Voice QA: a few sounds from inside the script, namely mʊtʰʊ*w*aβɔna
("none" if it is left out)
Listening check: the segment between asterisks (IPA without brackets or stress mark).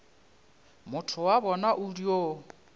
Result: w